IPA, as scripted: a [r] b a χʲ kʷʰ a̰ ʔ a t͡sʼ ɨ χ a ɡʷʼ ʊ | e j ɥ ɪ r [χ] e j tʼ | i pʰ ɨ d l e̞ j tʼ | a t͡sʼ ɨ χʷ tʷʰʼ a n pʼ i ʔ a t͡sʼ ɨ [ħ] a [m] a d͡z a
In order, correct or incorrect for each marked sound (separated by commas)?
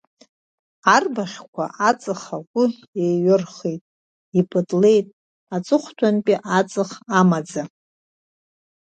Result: correct, correct, incorrect, correct